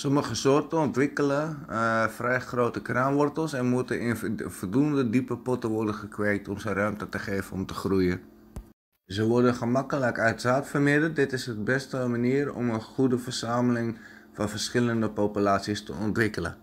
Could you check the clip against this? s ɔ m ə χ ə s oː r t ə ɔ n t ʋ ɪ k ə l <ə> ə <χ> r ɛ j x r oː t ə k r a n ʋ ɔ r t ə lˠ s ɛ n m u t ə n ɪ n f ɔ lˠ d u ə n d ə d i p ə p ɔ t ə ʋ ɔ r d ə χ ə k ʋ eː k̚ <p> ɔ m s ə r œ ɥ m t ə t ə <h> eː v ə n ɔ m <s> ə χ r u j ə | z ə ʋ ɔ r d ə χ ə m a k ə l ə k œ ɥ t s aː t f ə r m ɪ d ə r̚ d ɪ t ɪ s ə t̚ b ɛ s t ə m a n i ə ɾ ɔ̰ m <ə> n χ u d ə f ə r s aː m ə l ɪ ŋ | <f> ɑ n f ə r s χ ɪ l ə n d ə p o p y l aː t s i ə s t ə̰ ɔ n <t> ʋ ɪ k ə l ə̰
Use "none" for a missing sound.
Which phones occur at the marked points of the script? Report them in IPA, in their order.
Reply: ə, f, t, χ, t, ə, f, t

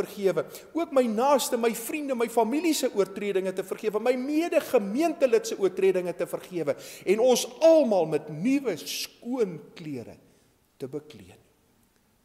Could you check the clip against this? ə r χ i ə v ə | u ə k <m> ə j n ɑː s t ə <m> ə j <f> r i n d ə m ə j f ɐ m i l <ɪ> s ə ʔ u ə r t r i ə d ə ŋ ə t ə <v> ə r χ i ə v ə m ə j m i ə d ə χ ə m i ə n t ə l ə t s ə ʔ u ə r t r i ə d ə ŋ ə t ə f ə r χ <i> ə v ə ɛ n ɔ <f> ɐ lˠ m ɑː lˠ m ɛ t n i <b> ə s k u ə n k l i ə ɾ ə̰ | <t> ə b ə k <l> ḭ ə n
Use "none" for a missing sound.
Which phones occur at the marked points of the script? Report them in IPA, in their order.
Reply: m, m, f, i, f, i, s, v, t, l

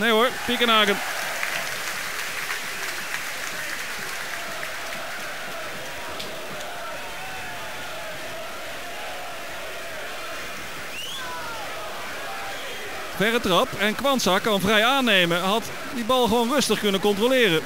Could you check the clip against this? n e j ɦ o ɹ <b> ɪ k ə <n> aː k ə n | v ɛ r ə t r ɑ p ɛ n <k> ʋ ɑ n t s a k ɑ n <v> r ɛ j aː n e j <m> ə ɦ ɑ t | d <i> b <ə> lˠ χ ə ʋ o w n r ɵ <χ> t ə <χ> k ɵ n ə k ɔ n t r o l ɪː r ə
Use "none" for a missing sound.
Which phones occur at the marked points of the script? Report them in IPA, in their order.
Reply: p, n, k, v, m, i, ɑ, s, χ

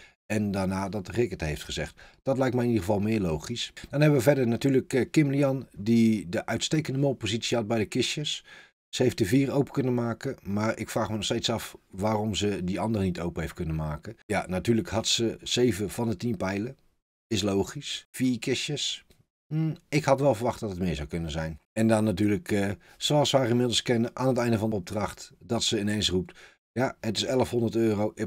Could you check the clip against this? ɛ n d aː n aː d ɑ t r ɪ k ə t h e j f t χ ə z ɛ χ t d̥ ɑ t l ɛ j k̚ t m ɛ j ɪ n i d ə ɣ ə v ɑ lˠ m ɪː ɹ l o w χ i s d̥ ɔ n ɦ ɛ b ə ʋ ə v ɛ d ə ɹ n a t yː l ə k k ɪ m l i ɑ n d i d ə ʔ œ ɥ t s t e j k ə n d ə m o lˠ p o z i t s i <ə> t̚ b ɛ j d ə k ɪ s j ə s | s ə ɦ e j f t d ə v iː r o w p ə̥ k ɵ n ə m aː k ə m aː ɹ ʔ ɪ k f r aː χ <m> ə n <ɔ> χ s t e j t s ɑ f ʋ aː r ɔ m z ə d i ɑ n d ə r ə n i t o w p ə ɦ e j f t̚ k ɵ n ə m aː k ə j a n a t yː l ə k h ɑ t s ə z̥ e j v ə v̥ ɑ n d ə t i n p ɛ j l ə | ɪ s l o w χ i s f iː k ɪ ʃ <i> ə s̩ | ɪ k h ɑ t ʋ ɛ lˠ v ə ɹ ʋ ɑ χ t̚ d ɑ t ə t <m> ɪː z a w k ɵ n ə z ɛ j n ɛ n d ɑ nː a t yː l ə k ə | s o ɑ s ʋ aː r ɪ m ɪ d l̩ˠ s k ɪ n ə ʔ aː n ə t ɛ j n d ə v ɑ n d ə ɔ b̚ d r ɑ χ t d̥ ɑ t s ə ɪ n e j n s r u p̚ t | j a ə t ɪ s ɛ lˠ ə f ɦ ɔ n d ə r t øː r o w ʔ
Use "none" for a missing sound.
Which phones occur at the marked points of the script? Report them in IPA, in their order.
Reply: ɑ, m, ɔ, j, m

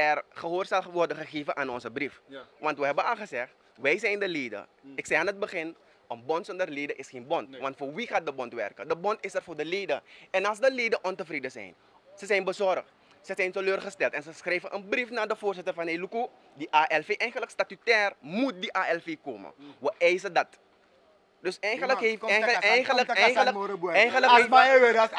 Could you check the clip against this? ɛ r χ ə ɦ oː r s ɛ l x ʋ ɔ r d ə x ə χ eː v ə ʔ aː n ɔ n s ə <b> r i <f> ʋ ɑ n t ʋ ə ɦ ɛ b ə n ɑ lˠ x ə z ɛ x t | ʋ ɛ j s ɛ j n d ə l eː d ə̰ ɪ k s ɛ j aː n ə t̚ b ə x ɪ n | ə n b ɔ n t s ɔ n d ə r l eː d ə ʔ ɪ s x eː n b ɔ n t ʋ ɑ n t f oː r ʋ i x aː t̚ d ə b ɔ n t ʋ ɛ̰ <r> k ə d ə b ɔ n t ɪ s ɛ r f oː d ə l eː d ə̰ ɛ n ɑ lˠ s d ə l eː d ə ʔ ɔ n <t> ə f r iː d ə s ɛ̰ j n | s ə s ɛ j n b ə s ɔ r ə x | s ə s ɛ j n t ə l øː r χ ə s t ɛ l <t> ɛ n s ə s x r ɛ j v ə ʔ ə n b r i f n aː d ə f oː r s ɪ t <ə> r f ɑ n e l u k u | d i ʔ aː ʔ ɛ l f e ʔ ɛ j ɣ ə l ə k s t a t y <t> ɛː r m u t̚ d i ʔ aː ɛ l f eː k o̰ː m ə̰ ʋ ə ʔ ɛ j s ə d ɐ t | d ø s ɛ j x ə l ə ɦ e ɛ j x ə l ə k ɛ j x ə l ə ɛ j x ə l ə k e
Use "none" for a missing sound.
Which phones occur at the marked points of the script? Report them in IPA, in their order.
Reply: b, f, r, t, t, ə, t

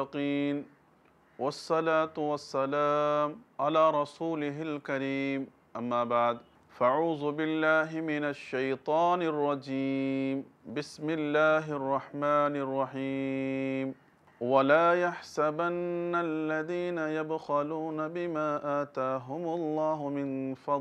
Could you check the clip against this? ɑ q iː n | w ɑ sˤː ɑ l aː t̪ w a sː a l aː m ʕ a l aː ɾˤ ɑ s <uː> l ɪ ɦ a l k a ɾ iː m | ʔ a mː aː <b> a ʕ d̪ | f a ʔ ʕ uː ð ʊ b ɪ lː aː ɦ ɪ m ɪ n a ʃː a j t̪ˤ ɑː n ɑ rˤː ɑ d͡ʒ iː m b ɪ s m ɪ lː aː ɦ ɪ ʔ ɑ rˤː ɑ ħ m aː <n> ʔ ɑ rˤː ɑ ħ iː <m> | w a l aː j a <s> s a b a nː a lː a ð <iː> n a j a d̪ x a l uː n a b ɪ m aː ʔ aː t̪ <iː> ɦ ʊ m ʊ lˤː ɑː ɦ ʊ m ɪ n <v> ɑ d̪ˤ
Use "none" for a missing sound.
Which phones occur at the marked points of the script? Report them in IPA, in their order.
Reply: uː, b, n, m, ħ, iː, aː, f

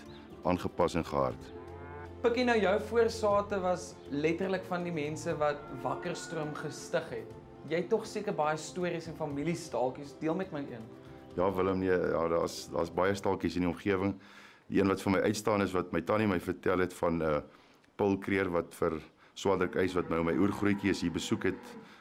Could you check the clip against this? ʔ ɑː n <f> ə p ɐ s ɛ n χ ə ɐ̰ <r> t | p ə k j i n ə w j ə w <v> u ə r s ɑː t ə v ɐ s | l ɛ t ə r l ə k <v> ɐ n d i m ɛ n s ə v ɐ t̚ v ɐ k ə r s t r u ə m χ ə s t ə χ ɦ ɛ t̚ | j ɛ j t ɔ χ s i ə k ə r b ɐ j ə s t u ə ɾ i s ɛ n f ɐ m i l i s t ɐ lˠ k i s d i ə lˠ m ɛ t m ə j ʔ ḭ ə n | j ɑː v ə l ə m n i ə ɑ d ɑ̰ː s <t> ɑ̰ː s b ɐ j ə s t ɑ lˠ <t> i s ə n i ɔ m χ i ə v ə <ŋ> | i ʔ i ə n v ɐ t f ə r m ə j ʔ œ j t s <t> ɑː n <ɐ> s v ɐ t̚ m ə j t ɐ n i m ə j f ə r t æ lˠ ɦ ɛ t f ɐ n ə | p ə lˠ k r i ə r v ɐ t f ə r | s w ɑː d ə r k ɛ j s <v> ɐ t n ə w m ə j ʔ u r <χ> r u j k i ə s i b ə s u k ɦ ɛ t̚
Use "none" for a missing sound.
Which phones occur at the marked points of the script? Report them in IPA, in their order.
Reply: χ, r, f, f, d, k, ŋ, t, ə, v, χ

